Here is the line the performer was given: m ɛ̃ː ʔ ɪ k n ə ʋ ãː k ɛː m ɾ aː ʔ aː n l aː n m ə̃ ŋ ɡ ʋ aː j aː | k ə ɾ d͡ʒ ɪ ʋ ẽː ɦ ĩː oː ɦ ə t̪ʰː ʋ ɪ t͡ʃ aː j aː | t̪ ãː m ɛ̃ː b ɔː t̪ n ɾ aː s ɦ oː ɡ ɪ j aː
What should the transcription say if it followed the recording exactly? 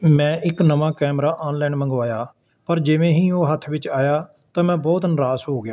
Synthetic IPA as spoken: m ɛ̃ː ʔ ɪ k n ə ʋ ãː k ɛː m ɾ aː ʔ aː n l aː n m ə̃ ŋ ɡ ʋ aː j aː | p ə ɾ d͡ʒ ɪ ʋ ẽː ɦ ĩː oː ɦ ə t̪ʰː ʋ ɪ t͡ʃ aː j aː | t̪ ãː m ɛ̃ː b ɔː t̪ n ɾ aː s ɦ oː ɡ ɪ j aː